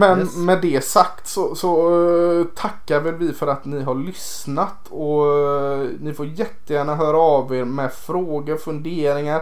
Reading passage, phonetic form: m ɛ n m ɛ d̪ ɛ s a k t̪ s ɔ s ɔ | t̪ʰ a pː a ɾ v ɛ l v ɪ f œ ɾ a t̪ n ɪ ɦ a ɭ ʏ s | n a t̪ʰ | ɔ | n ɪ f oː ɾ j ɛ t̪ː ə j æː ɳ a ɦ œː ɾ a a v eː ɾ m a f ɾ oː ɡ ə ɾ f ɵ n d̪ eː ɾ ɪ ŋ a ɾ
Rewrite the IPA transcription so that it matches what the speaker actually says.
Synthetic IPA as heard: m ɛ n m ɛ d̪ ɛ s a k t̪ s ɔ s ɔ | t̪ʰ a kː a ɾ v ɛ l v ɪ f œ ɾ a t̪ n ɪ ɦ a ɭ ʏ s | n a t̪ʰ | ɔ | n ɪ f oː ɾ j ɛ t̪ː ə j æː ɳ a ɦ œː ɾ a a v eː ɾ m ɛ f ɾ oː ɡ ə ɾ f ɵ n d̪ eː ɾ ɪ ŋ a ɾ